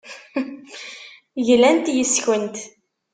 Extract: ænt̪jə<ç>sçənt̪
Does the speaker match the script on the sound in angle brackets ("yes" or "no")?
no